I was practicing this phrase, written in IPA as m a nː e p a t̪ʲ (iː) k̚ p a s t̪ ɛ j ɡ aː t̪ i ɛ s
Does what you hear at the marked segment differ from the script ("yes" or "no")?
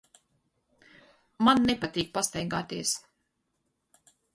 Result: no